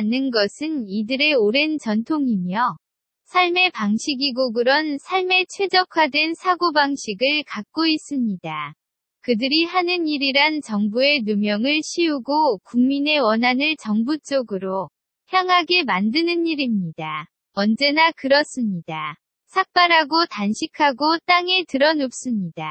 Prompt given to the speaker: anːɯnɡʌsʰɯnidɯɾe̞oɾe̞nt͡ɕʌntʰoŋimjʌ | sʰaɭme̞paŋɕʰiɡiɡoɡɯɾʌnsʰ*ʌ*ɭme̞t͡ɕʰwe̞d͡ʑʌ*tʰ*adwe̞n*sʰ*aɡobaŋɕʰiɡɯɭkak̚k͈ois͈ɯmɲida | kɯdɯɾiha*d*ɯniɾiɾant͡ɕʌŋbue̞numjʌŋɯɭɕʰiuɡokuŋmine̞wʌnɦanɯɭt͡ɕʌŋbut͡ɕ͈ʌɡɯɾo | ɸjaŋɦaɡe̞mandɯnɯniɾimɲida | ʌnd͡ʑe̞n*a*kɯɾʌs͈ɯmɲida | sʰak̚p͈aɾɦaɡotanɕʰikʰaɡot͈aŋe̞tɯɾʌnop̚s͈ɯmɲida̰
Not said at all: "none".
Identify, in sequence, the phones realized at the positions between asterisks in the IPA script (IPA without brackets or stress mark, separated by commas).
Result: a, kʰ, sʰ, n, a